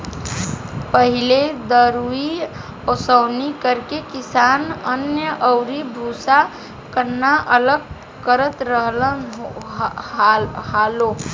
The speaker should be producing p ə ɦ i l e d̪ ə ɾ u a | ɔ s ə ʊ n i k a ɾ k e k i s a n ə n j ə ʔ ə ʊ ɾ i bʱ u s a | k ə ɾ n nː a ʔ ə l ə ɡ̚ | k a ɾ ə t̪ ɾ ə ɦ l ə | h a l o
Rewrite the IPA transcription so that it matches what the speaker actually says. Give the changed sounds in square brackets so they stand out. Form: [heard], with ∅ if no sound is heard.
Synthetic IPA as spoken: p ə ɦ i l e d̪ ə ɾ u [i] | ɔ s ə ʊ n i k [ə] ɾ k e k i s a n ə n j ə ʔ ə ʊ ɾ i bʱ u s a | k ə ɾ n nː a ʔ ə l ə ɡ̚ | k [ə] ɾ ə t̪ ɾ ə ɦ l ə | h a l o